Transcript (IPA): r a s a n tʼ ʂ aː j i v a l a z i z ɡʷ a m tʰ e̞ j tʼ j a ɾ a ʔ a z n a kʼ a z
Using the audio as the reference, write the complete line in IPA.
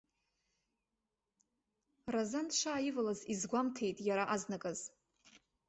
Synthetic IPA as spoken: r a z a n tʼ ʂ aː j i v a l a z i z ɡʷ a m tʰ e̞ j tʼ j a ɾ a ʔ a z n a kʼ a z